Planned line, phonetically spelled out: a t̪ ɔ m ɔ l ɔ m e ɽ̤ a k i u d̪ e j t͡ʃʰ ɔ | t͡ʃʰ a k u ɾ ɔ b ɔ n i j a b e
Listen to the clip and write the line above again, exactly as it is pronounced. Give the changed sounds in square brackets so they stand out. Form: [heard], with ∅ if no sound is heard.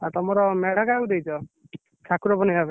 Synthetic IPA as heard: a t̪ ɔ m ɔ [ɾ] ɔ m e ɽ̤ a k [a] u d̪ e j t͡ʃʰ ɔ | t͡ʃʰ a k u ɾ ɔ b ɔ n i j a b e